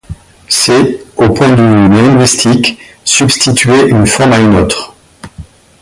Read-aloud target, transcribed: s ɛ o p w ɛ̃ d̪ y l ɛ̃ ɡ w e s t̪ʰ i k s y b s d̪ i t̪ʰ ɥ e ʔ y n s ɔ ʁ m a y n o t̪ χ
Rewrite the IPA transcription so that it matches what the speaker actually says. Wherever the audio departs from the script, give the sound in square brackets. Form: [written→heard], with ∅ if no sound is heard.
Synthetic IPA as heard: s ɛ o p w ɛ̃ d̪ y l ɛ̃ ɡ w [e→i] s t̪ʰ i k s y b s [d̪→t̪] i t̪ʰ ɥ e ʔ y n [s→f] ɔ ʁ m a y n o t̪ χ